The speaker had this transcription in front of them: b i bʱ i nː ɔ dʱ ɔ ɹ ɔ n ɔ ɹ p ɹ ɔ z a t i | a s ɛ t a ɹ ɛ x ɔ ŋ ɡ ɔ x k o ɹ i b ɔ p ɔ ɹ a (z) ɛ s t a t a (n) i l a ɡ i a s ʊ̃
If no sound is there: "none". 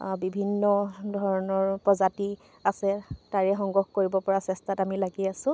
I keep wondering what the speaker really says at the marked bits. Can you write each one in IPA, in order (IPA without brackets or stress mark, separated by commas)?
s, m